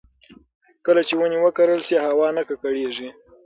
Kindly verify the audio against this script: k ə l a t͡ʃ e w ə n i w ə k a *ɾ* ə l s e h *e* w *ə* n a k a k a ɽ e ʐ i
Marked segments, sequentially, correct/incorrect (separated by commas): correct, incorrect, incorrect